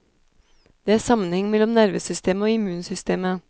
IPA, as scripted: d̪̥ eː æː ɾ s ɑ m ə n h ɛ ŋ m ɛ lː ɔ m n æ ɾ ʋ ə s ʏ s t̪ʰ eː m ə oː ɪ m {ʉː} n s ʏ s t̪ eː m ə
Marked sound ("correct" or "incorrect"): correct